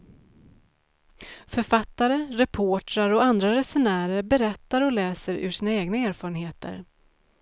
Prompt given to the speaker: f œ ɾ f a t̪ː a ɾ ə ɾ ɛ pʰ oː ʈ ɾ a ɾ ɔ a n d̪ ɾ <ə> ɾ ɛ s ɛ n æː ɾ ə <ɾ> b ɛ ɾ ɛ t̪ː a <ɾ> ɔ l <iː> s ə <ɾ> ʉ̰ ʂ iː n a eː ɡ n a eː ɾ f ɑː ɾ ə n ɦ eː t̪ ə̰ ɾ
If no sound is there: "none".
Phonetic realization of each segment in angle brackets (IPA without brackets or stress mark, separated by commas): a, ɾ, ɾ, ɛː, ɾ